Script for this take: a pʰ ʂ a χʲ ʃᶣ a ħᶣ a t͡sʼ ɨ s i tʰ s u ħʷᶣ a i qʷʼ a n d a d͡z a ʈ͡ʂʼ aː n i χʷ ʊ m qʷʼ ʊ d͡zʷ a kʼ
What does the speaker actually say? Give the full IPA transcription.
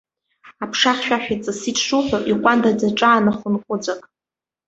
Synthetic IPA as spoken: a pʰ ʂ a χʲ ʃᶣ a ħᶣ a t͡sʼ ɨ s i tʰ ʂ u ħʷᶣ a i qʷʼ a n d a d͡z a ʈ͡ʂʼ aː n a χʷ ʊ n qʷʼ ʊ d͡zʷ a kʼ